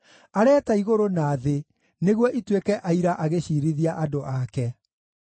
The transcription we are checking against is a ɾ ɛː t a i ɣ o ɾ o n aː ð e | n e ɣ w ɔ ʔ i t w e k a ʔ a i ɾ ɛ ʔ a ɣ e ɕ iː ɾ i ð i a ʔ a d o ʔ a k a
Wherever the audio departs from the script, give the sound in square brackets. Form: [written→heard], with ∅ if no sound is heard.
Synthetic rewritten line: a ɾ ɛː t a i ɣ o ɾ o n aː ð e | n e ɣ w ɔ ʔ i t w e k [a→ɛ] ʔ a i ɾ [ɛ→a] ʔ a ɣ e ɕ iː ɾ i ð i a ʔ a d o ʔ a k [a→ɛ]